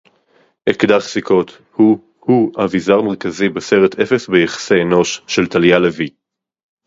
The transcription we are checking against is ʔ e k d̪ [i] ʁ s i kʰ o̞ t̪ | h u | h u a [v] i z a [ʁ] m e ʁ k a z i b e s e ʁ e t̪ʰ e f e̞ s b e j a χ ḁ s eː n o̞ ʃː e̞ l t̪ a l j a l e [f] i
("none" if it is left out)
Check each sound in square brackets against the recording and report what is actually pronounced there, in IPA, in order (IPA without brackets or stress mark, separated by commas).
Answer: a, v, ʁ, v